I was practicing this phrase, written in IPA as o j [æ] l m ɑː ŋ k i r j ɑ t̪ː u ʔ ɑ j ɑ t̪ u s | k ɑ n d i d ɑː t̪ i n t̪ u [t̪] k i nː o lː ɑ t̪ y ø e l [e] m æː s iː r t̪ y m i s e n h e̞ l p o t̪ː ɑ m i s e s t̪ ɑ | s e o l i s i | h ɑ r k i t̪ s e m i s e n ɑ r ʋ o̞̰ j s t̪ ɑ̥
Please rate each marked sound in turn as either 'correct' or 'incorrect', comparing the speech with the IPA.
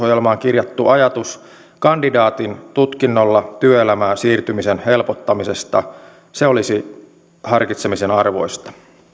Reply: incorrect, correct, incorrect

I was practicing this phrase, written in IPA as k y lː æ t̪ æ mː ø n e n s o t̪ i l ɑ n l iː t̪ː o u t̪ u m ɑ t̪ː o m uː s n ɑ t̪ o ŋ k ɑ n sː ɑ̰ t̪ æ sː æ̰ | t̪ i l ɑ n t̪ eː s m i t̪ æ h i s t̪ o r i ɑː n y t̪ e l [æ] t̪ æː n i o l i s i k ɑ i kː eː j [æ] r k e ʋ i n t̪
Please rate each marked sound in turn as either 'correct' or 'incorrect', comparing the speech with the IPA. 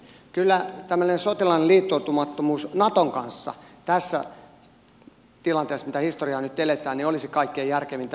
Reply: incorrect, correct

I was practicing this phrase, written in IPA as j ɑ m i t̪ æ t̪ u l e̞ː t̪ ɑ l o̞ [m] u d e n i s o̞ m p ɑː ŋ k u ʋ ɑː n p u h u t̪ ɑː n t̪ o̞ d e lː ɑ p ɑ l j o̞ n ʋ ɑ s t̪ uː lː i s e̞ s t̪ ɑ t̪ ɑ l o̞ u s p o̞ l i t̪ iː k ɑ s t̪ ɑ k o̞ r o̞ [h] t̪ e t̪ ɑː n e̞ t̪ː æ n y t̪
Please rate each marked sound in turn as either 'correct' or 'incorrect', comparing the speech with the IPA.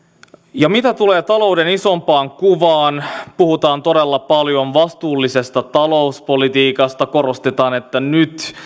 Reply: incorrect, incorrect

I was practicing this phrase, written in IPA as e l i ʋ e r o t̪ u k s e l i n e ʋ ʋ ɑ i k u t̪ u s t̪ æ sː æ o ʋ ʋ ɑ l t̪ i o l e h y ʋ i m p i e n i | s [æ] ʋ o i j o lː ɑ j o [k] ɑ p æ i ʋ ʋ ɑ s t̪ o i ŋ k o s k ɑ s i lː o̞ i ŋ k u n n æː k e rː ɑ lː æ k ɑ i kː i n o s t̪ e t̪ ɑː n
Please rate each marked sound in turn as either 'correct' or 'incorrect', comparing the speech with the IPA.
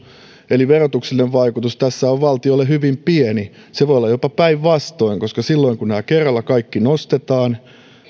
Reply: incorrect, incorrect

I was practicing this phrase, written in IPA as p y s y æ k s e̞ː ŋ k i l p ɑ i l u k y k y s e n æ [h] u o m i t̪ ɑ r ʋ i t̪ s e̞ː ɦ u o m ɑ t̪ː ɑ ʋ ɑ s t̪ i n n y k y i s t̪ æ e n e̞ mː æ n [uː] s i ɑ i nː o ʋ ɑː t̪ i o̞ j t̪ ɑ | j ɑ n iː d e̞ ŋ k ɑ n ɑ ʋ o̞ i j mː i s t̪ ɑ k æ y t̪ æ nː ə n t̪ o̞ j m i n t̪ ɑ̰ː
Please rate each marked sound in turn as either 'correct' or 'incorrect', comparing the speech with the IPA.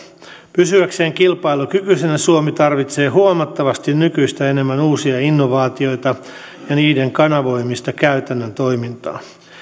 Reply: incorrect, correct

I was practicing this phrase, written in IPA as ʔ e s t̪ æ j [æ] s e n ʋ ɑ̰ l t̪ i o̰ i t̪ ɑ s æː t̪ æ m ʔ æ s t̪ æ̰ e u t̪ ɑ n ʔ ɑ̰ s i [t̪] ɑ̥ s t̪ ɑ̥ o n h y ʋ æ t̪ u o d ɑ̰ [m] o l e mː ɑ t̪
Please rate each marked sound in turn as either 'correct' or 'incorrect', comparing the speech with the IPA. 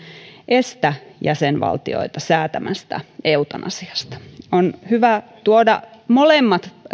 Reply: correct, incorrect, correct

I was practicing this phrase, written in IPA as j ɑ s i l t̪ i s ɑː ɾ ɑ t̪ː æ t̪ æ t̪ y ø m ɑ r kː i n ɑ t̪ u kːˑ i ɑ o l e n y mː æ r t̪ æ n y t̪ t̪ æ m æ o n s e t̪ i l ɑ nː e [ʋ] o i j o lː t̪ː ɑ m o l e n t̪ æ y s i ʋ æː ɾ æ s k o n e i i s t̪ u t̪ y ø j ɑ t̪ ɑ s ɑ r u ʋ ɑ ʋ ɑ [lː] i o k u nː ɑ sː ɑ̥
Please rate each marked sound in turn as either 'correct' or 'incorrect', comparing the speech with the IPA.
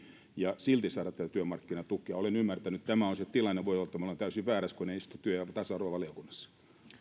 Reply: correct, incorrect

